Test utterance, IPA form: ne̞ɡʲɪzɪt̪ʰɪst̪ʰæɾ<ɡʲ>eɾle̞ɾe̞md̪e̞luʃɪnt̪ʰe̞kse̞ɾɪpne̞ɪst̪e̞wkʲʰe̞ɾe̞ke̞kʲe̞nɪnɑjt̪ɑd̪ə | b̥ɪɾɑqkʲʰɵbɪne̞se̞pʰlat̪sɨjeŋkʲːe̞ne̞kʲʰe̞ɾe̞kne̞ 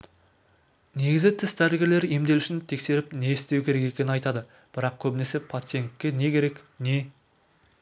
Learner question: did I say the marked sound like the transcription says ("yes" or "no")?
yes